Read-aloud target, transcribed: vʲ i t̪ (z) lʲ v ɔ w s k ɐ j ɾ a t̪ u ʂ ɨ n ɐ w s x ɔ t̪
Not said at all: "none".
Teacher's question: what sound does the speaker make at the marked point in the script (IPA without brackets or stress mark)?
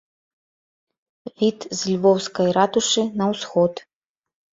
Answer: z